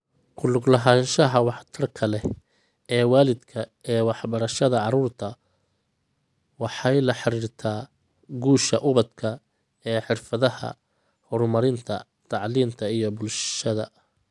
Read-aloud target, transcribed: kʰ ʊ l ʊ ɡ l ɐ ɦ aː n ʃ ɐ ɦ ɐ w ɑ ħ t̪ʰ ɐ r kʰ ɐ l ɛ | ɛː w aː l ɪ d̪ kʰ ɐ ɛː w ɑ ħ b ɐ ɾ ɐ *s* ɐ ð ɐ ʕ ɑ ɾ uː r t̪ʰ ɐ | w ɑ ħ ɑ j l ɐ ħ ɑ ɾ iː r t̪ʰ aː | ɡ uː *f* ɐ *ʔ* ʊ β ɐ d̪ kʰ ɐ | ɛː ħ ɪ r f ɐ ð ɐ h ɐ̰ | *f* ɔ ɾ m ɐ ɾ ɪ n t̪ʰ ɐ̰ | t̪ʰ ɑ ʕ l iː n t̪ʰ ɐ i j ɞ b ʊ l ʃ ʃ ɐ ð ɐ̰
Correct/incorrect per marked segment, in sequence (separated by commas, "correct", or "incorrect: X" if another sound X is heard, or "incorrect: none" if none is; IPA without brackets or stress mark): incorrect: ʃ, incorrect: ʃ, correct, incorrect: h